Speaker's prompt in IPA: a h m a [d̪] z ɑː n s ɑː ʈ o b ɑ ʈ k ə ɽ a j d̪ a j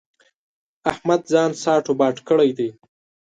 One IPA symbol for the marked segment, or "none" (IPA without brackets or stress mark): d̪